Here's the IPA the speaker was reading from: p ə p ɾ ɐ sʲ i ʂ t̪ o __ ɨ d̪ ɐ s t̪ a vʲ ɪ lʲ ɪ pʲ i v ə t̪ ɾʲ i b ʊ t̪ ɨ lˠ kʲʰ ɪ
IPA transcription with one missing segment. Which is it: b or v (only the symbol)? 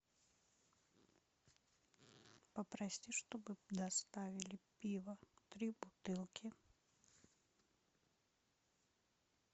b